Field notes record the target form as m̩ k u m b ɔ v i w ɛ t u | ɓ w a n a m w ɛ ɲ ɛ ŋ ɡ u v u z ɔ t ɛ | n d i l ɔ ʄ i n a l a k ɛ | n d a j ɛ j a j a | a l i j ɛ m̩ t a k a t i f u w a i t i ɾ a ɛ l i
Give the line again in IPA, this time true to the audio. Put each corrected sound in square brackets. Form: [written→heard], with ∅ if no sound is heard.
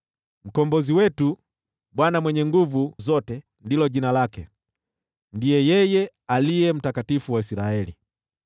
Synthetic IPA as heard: m̩ k [u→ɔ] m b ɔ [v→z] i w ɛ t u | ɓ w a n a m w ɛ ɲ ɛ ŋ ɡ u v u z ɔ t ɛ | n d i l ɔ ʄ i n a l a k ɛ | n d [a→i] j ɛ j [a→ɛ] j [a→ɛ] | a l i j ɛ m̩ t a k a t i f u w a i [t→s] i ɾ a ɛ l i

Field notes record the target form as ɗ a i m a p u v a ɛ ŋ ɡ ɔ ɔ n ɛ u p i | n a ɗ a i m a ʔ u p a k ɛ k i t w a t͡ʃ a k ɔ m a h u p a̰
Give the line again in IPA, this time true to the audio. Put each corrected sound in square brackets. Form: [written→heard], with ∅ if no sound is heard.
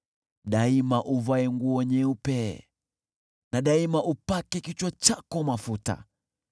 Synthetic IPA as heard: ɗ a i m a [p→ʔ] u v a ɛ ŋ ɡ [ɔ→u] ɔ [n→ɲ] ɛ u p [i→ɛ] | n a ɗ a i m a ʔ u p a k ɛ k i [t→t͡ʃ] w a t͡ʃ a k ɔ m a [h→f] u [p→t] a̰

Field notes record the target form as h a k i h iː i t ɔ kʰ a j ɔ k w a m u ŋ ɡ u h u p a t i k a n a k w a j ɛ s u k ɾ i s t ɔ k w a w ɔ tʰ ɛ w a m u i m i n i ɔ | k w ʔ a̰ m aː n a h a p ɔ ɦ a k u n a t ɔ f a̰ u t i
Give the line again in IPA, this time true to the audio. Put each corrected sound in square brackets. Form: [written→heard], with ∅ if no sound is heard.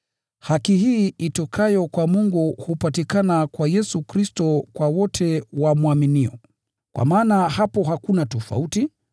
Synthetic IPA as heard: h a k i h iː i t ɔ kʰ a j ɔ k w a m u ŋ ɡ u h u p a t i k a n a k w a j ɛ s u k ɾ i s t ɔ k w a w ɔ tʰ ɛ w a m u [i→a] m i n i ɔ | k w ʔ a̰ m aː n a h a p ɔ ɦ a k u n a t ɔ f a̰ u t i

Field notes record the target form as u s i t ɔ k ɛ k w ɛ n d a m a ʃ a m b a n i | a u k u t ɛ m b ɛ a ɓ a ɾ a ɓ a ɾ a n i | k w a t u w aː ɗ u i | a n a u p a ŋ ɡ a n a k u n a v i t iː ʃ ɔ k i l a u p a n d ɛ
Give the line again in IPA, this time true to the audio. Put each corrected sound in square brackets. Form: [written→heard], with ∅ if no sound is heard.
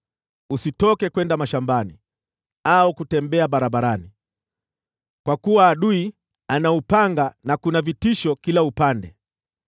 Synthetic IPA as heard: u s i t ɔ k ɛ k w ɛ n d a m a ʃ a m b a n i | a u k u t ɛ m b ɛ a ɓ a ɾ a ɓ a ɾ a n i | k w a [t→k] u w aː ɗ u i | a n a u p a ŋ ɡ a n a k u n a v i t [iː→i] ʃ ɔ k i l a u p a n d ɛ

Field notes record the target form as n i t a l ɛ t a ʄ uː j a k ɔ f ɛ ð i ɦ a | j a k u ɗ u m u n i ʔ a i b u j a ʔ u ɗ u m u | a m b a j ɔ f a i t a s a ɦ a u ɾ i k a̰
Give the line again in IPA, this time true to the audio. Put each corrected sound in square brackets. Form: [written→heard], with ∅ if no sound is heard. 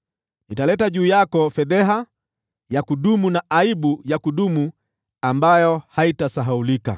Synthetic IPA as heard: n i t a l ɛ t a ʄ uː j a k ɔ f ɛ ð [i→ɛ] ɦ a | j a k u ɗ u m u n [i→a] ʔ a i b u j a [ʔ→k] u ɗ u m u | a m b a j ɔ [f→h] a i t a s a ɦ a u [ɾ→l] i k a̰

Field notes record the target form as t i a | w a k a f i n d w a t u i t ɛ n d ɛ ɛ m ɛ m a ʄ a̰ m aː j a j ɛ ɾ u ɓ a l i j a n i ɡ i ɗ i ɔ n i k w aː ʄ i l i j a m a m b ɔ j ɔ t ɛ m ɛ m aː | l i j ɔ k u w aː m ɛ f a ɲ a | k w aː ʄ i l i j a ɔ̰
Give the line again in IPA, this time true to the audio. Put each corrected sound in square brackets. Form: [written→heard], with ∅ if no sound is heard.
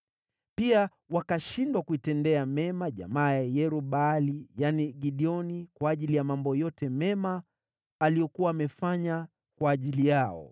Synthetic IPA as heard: [t→p] i a | w a k a [f→ʃ] i n d w a [t→k] u i t ɛ n d ɛ [ɛ→a] m ɛ m a ʄ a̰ m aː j a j ɛ ɾ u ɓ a l i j a n i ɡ i ɗ i ɔ n i k w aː ʄ i l i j a m a m b ɔ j ɔ t ɛ m ɛ m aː | l i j ɔ k u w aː m ɛ f a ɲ a | k w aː ʄ i l i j a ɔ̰

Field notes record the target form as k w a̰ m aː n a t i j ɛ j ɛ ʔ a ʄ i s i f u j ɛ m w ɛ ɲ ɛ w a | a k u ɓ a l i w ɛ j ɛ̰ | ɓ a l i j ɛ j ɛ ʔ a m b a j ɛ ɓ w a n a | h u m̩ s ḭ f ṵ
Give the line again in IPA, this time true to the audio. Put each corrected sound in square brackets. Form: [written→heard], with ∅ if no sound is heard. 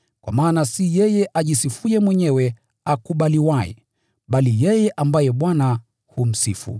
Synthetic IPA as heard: k w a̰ m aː n a [t→s] i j ɛ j ɛ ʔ a ʄ i s i f u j ɛ m w ɛ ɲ ɛ w [a→ɛ] | a k u ɓ a l i w [ɛ→a] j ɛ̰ | ɓ a l i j ɛ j ɛ ʔ a m b a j ɛ ɓ w a n a | h u m̩ s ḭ f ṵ

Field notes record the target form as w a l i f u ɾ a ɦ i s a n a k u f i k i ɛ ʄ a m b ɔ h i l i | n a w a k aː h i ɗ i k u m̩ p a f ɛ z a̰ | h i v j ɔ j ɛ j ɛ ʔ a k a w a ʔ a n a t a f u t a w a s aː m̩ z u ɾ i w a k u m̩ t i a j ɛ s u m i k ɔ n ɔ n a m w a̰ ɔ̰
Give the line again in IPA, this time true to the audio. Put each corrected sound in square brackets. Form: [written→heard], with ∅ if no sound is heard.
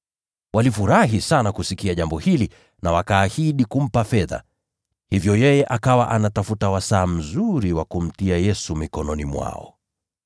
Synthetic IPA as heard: w a l i f u ɾ a ɦ i s a n a k u [f→s] i k i [ɛ→a] ʄ a m b ɔ h i l i | n a w a k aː h i ɗ i k u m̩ p a f ɛ [z→ð] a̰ | h i v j ɔ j ɛ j ɛ ʔ a k a w a ʔ a n a t a f u t a w a s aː m̩ z u ɾ i w a k u m̩ t i a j ɛ s u m i k ɔ n ɔ n [a→i] m w a̰ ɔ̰

